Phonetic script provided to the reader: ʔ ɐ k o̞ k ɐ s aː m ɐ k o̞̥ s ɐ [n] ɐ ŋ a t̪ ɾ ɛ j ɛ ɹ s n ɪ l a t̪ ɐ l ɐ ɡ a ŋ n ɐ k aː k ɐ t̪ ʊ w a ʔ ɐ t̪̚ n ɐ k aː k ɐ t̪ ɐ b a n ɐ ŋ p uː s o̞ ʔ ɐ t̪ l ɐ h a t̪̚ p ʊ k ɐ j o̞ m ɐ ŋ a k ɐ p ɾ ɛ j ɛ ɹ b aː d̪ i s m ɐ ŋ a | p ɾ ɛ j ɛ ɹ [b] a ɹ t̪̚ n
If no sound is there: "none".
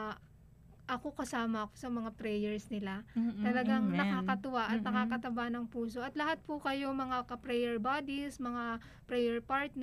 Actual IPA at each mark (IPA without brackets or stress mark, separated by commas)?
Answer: m, p